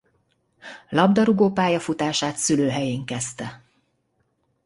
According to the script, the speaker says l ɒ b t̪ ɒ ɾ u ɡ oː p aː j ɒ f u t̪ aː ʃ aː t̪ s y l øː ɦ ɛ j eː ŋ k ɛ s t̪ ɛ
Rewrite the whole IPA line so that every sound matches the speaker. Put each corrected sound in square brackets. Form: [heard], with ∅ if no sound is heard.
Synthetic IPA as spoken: l ɒ b [d̪] ɒ ɾ u ɡ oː p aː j ɒ f u t̪ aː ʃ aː t̪ s y l øː ɦ ɛ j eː ŋ k ɛ s t̪ ɛ